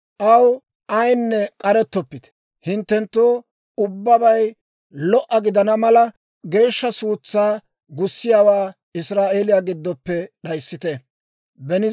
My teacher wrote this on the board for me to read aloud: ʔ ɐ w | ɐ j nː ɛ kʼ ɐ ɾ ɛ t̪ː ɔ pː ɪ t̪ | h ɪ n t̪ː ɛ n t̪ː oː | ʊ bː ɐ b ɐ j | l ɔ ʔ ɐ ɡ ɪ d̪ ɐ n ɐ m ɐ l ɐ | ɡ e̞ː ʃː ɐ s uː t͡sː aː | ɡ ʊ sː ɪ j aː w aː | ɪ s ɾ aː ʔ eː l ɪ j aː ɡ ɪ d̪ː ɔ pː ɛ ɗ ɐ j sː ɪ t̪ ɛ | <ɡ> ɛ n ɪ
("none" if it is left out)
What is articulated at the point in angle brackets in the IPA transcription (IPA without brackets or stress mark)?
b